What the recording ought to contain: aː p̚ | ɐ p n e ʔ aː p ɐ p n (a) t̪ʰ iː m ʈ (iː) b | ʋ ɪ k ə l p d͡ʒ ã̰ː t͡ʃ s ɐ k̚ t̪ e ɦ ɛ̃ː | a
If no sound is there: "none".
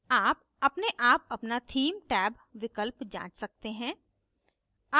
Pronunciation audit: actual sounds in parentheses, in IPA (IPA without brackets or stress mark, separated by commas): a, ɛː